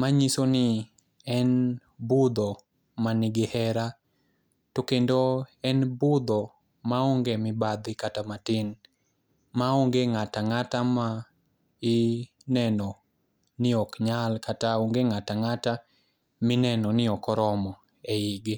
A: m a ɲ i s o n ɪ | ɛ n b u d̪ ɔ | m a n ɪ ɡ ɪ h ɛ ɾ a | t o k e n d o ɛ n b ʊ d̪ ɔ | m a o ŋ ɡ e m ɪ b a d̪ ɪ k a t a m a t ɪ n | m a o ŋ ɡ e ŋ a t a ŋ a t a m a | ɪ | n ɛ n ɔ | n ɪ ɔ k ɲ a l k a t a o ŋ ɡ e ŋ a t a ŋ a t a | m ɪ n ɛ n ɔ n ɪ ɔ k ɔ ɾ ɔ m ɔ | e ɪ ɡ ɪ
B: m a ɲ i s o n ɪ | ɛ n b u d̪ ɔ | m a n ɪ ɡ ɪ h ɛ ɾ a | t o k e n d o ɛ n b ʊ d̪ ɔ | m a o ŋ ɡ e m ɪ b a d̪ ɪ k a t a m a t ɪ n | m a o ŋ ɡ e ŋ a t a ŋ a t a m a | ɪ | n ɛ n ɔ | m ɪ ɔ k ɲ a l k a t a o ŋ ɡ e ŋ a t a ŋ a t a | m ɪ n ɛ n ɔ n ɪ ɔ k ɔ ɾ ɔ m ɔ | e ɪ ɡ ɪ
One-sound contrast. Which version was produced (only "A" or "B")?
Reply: A